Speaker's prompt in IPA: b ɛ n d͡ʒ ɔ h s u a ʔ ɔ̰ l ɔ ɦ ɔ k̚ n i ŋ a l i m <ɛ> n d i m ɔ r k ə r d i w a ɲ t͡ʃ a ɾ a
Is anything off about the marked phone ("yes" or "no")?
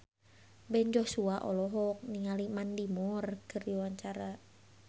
yes